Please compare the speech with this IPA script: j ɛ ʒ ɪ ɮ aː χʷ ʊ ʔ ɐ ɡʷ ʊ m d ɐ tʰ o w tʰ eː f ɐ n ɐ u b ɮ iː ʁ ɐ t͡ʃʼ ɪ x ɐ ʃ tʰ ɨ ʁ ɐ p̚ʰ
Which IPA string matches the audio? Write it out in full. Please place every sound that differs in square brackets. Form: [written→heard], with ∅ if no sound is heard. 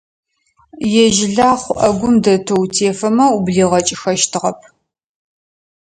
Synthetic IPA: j ɛ ʒ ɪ ɮ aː χʷ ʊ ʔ ɐ ɡʷ ʊ m d ɐ tʰ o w tʰ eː f ɐ [n→m] ɐ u b ɮ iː ʁ ɐ t͡ʃʼ ɪ x ɐ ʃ tʰ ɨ ʁ ɐ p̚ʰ